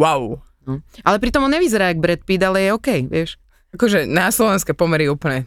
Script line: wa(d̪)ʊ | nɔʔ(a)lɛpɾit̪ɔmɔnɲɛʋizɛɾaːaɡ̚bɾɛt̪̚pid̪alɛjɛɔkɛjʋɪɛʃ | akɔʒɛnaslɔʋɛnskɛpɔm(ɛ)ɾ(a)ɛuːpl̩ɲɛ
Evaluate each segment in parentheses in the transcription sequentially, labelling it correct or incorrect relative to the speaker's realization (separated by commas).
incorrect, correct, correct, incorrect